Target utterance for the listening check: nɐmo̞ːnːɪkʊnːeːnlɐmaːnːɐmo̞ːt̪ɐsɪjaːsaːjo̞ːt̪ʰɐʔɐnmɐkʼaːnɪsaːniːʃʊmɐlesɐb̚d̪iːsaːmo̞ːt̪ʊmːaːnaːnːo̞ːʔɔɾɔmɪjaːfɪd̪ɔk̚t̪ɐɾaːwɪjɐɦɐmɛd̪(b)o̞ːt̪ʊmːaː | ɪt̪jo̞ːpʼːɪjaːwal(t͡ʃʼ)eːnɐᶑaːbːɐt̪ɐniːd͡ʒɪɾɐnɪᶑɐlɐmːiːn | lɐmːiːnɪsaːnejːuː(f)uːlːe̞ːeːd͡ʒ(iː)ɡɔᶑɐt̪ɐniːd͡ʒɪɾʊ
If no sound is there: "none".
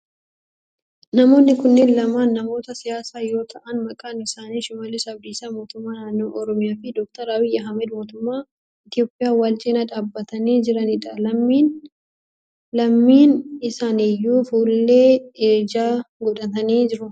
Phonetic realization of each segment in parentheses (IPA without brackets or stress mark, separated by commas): m, t͡ʃʼ, f, aː